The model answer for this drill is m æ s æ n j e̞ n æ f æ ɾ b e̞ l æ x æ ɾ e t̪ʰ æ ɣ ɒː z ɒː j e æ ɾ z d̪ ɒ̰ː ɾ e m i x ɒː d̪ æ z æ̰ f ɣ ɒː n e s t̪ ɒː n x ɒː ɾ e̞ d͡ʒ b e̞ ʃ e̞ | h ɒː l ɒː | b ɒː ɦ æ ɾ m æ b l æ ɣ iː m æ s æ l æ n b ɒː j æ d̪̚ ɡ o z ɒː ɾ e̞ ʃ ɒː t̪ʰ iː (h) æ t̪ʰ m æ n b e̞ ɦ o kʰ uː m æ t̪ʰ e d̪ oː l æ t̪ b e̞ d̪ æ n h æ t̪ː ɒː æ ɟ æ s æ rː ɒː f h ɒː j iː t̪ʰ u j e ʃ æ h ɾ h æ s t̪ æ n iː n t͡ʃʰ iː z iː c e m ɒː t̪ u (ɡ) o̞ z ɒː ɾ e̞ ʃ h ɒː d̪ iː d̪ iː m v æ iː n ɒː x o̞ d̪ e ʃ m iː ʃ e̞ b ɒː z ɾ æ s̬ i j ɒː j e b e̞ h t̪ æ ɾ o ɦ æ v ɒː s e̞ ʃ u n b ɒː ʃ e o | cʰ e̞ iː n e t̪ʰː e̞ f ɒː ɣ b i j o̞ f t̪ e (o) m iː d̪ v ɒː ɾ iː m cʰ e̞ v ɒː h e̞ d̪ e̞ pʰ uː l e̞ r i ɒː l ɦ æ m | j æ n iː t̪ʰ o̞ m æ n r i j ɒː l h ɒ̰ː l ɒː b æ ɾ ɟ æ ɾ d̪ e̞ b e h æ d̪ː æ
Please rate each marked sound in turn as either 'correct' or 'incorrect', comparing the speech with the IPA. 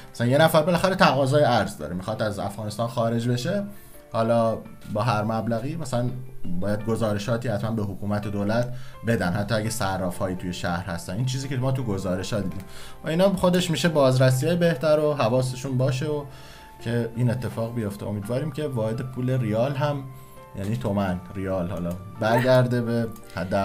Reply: correct, correct, correct

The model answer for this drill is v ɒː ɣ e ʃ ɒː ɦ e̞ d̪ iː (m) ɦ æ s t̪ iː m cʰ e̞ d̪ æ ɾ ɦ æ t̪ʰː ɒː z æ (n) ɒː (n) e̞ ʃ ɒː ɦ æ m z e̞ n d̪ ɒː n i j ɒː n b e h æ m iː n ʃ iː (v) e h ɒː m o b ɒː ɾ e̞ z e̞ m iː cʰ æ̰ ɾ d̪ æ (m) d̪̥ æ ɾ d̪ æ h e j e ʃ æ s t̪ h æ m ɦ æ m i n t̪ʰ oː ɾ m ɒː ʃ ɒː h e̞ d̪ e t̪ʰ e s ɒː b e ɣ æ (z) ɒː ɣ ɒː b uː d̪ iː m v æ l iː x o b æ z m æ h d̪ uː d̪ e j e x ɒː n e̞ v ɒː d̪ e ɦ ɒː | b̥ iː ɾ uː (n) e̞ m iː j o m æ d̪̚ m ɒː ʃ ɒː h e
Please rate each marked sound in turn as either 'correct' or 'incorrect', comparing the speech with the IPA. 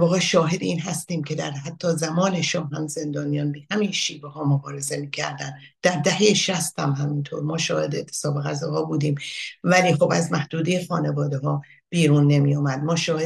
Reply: incorrect: n, incorrect: m, correct, correct, incorrect: n, correct, incorrect: nː

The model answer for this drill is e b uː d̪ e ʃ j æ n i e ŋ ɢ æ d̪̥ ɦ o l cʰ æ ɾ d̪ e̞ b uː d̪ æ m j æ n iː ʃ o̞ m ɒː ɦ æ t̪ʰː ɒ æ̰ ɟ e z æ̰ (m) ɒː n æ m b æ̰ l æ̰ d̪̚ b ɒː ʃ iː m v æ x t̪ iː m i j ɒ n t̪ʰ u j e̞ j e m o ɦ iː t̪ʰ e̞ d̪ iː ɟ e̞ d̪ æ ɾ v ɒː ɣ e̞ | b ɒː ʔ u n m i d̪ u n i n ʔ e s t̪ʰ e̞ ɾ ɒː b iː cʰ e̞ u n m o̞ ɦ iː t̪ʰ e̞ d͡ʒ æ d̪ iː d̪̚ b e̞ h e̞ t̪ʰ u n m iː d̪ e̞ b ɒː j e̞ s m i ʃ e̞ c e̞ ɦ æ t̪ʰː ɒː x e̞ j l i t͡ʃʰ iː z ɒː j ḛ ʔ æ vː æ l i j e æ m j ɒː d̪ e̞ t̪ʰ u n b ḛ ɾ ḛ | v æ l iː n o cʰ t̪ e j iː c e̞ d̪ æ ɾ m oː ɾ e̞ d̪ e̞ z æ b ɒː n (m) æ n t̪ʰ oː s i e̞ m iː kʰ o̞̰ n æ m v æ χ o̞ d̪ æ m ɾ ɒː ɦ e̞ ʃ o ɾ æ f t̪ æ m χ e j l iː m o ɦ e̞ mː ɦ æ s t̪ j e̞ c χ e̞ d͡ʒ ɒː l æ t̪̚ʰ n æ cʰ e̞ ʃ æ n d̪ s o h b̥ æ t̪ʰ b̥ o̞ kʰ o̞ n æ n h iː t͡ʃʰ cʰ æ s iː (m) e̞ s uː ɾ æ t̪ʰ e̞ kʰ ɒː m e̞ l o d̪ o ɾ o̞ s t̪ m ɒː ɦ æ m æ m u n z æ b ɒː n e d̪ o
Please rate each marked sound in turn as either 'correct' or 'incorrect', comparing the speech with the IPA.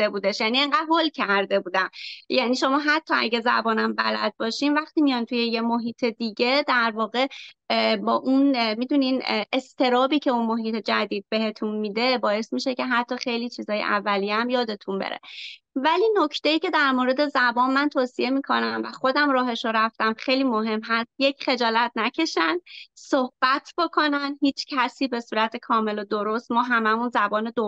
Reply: incorrect: b, correct, incorrect: b

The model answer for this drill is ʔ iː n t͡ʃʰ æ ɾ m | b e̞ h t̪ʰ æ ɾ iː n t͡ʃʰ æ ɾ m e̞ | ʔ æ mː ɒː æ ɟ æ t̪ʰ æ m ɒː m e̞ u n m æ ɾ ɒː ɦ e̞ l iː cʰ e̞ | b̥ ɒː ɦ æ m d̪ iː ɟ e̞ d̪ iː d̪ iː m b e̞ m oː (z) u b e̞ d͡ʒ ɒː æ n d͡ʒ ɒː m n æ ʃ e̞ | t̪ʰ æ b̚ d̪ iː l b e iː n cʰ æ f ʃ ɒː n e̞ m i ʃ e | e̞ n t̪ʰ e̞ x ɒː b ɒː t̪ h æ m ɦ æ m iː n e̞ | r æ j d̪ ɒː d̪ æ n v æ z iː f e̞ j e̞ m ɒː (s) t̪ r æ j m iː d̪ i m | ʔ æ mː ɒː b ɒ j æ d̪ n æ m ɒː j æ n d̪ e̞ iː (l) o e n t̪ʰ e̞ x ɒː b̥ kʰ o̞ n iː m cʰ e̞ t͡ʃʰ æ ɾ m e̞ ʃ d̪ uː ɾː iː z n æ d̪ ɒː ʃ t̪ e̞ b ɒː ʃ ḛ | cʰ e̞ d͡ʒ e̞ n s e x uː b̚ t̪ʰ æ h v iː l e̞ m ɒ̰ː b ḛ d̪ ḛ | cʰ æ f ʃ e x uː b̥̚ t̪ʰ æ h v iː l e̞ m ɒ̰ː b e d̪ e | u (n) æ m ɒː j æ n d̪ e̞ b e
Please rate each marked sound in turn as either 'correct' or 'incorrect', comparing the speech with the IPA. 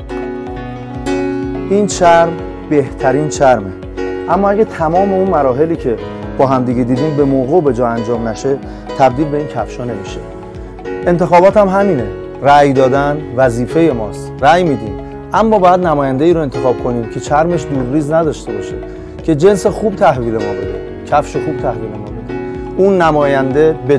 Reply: incorrect: ɣ, correct, incorrect: ɾ, incorrect: nː

